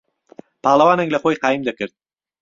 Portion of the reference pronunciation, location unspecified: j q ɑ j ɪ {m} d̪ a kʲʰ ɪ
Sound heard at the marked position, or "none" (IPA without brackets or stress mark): m